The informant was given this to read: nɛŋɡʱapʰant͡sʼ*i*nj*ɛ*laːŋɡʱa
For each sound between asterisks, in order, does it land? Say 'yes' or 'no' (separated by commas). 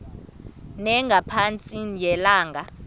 yes, yes